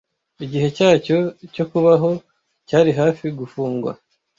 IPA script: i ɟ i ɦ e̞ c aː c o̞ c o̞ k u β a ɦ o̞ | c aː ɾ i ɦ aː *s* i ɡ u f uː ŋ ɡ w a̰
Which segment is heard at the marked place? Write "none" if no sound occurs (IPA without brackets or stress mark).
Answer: f